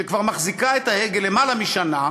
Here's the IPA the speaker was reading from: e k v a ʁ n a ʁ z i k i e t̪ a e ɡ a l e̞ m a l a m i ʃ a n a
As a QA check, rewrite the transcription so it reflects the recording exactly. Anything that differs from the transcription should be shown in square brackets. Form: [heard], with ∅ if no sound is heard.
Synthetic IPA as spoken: e k v a ʁ [m] a [χ] z i k [a] e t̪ a e ɡ [e] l e̞ m a l a m i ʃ a n a